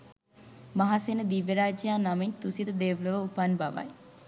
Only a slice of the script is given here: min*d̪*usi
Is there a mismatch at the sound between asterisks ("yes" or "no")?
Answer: yes